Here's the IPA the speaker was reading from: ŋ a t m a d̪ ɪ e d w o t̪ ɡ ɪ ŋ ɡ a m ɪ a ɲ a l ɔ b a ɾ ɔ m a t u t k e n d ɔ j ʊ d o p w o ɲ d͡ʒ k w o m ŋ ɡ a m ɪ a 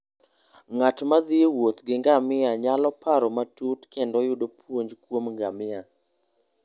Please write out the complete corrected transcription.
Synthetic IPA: ŋ a t m a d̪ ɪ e w o t̪ ɡ ɪ ŋ ɡ a m ɪ a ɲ a l ɔ p a ɾ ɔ m a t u t k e n d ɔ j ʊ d o p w o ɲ d͡ʒ k w o m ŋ ɡ a m ɪ a